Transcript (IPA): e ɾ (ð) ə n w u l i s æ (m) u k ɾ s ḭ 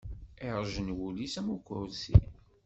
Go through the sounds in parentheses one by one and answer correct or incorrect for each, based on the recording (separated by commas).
incorrect, correct